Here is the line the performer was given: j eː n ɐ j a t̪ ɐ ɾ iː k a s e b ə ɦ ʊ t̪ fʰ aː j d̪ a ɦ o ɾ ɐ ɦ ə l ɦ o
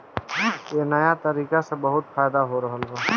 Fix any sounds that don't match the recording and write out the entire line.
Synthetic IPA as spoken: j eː n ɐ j a t̪ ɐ ɾ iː k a s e b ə ɦ ʊ t̪ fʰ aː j d̪ a ɦ o ɾ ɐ ɦ ə l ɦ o